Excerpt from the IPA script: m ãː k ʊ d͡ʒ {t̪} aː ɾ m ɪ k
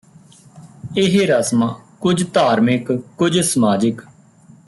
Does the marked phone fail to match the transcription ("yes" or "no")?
no